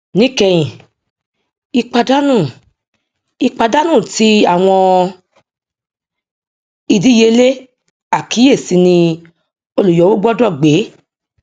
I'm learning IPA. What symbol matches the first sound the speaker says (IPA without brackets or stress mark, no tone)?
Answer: n